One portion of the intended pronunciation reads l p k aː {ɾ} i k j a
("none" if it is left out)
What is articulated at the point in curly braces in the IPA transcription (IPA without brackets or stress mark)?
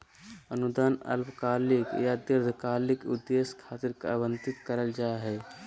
l